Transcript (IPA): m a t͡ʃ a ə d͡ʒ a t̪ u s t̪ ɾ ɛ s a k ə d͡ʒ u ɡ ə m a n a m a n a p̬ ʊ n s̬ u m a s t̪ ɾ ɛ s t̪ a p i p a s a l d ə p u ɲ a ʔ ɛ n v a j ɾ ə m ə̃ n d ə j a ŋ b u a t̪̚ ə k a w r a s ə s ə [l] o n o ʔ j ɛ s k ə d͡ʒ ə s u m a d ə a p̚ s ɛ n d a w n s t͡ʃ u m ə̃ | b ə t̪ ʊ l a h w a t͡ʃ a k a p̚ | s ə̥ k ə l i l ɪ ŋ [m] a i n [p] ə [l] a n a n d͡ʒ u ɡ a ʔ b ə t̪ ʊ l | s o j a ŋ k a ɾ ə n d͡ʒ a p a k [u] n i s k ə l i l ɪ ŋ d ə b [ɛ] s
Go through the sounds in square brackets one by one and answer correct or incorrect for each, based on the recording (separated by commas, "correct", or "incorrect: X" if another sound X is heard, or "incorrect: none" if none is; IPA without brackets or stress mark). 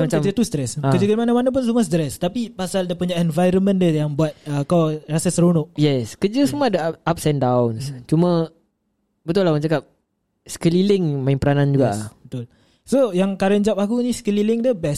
incorrect: ɾ, correct, correct, incorrect: ɾ, correct, correct